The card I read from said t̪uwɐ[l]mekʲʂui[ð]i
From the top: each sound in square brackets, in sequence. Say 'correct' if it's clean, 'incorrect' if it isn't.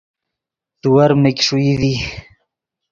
incorrect: ɾ, correct

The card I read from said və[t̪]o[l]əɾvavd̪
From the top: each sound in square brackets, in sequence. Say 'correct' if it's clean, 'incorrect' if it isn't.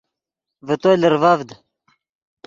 correct, correct

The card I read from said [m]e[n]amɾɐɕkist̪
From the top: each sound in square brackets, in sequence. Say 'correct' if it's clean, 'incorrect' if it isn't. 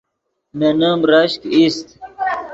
correct, correct

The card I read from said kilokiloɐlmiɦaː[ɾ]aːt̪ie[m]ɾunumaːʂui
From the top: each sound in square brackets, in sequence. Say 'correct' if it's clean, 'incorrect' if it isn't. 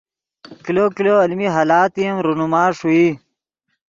incorrect: l, correct

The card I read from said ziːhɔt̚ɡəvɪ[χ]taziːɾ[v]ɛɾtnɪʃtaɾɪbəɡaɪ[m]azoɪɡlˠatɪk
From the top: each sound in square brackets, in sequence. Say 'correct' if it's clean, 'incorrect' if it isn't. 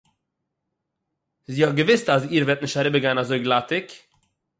incorrect: s, correct, incorrect: n

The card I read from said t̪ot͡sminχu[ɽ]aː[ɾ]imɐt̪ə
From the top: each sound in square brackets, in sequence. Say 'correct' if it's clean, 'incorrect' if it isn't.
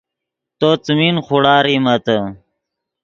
correct, correct

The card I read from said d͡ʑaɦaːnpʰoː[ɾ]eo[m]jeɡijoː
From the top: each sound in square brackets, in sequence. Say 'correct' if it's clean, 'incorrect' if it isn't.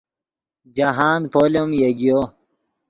incorrect: l, correct

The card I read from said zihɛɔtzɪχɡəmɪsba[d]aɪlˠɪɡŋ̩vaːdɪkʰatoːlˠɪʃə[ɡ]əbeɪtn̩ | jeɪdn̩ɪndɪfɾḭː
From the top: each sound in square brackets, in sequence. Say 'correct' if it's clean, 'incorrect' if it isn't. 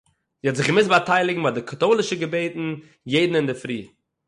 incorrect: t, correct

